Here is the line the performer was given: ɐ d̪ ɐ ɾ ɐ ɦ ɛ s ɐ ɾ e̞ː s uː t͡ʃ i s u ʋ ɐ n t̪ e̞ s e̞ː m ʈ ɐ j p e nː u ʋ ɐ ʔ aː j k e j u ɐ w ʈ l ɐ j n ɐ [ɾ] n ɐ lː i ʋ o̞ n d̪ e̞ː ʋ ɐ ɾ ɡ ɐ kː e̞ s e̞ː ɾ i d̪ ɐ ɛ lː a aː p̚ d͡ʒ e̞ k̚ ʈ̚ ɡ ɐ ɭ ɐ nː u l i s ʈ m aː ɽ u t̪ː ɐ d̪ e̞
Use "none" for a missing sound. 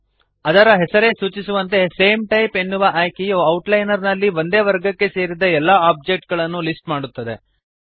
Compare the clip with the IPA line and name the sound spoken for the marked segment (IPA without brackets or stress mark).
ɾ